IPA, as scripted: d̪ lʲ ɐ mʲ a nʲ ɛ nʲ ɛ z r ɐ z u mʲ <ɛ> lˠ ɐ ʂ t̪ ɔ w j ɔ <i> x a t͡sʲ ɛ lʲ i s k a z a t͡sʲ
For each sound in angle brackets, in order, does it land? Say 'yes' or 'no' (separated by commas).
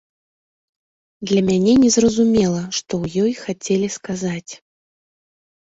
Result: yes, no